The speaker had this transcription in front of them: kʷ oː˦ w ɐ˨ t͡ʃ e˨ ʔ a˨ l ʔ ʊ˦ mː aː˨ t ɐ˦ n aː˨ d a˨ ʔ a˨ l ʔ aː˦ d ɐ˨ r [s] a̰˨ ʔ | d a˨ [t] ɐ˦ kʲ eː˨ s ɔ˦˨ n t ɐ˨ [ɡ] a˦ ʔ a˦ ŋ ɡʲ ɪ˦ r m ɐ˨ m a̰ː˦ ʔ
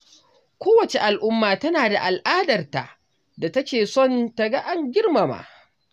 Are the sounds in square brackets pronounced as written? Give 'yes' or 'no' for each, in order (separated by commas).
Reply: no, yes, yes